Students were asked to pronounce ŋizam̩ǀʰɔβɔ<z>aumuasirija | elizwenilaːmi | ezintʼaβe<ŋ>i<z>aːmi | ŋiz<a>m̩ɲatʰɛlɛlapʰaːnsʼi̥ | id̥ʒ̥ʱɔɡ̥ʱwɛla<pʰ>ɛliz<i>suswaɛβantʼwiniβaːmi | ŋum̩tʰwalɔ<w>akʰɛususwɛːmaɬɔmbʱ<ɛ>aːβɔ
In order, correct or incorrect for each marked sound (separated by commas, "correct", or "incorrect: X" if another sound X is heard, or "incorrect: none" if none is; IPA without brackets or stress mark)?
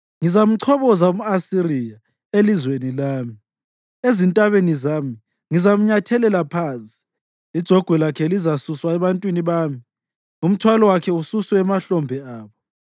correct, incorrect: n, correct, correct, incorrect: kʰ, incorrect: a, correct, correct